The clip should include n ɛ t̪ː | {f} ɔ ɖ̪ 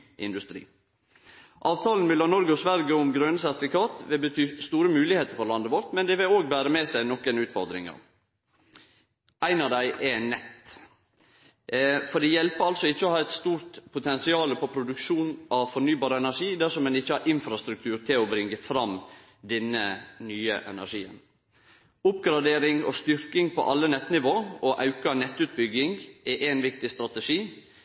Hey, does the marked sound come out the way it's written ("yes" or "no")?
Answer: yes